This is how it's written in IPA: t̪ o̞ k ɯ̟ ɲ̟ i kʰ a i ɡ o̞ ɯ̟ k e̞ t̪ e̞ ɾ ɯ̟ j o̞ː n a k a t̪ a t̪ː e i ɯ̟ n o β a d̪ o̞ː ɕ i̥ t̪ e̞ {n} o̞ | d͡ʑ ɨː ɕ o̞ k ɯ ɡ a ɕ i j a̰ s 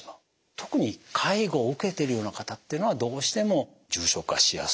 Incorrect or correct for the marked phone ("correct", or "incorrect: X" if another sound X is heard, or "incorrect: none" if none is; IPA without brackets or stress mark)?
incorrect: m